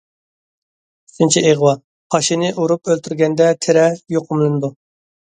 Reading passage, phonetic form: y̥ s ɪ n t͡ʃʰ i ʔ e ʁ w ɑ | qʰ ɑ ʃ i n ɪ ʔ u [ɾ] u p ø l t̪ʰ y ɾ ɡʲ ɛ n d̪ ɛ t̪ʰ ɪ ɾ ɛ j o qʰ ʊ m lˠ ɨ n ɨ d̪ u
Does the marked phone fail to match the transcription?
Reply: no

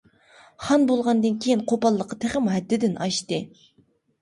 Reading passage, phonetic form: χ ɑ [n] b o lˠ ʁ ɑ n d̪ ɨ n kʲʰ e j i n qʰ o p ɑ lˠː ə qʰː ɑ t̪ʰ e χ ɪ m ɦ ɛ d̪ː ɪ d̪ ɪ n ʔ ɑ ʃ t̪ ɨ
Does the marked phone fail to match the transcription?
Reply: no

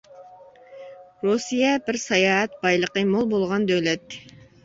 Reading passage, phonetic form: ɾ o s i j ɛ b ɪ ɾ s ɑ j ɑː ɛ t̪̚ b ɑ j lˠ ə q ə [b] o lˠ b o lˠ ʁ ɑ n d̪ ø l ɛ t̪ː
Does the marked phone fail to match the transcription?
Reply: yes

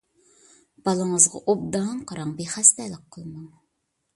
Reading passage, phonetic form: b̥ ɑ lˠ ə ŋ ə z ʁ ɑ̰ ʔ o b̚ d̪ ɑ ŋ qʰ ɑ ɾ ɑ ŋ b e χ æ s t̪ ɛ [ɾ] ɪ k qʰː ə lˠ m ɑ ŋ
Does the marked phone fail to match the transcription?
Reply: yes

